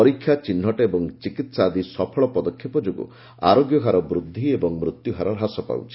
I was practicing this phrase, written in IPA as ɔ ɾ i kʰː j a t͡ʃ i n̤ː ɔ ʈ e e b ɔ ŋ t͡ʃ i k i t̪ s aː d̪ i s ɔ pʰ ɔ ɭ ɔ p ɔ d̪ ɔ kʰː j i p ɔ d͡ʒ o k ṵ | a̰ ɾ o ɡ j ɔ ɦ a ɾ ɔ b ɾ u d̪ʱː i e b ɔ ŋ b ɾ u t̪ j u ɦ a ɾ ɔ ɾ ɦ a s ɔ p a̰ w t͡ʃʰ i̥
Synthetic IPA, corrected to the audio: ɔ ɾ i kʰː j a t͡ʃ i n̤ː ɔ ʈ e e b ɔ ŋ t͡ʃ i k i t̪ s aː d̪ i s ɔ pʰ ɔ ɭ ɔ p ɔ d̪ ɔ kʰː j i p ɔ d͡ʒ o ɡ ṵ | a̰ ɾ o ɡ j ɔ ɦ a ɾ ɔ b ɾ u d̪ʱː i e b ɔ ŋ m ɾ u t̪ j u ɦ a ɾ ɔ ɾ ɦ a s ɔ p a̰ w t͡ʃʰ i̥